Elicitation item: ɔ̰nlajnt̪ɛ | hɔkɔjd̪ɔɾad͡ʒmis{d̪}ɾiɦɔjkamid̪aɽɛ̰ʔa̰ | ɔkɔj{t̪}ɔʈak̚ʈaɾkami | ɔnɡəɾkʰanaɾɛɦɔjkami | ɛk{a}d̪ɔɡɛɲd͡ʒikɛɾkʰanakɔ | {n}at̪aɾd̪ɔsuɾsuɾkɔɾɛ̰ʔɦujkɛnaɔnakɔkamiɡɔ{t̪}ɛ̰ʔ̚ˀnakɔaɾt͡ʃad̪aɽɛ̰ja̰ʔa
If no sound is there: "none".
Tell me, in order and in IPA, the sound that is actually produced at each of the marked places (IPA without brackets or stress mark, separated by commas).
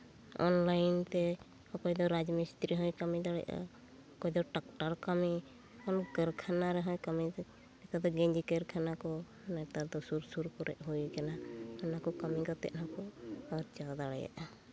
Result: t̪, d̪, a, n, t̪